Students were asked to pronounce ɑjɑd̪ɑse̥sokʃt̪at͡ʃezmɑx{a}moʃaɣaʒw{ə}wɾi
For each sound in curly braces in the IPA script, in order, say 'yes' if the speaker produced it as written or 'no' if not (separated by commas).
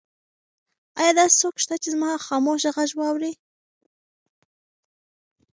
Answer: no, no